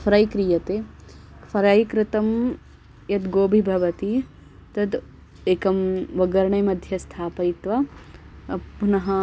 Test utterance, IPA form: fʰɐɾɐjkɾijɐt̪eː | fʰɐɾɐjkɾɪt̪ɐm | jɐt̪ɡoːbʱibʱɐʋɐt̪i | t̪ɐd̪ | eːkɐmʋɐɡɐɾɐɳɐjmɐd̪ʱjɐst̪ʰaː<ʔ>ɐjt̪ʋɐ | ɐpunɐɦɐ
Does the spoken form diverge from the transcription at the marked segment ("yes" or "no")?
yes